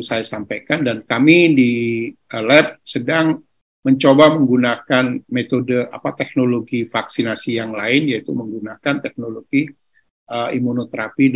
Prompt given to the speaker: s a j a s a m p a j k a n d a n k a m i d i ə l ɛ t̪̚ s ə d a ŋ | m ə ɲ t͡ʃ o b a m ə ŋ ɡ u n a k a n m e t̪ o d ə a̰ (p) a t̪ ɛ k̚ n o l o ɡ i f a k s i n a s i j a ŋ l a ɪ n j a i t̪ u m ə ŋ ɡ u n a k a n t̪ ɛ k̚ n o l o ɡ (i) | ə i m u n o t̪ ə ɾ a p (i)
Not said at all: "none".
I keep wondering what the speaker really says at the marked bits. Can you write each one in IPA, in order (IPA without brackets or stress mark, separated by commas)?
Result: p, i, i